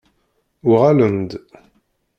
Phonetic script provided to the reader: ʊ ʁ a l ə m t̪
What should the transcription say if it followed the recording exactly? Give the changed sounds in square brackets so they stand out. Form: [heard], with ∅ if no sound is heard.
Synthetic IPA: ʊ ʁ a l ə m [d̪]